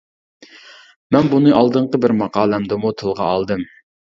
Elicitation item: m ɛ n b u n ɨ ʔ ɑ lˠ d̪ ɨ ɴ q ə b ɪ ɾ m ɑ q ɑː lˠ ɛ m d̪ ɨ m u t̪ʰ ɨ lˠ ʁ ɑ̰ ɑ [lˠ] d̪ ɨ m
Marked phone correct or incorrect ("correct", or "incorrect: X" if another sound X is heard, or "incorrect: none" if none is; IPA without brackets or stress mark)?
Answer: correct